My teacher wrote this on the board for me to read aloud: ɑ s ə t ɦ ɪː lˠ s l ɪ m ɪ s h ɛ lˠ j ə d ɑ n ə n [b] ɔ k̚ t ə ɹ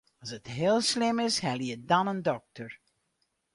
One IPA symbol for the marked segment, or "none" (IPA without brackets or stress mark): d